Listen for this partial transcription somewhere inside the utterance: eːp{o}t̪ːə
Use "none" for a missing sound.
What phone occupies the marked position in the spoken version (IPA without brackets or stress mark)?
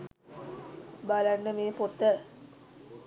o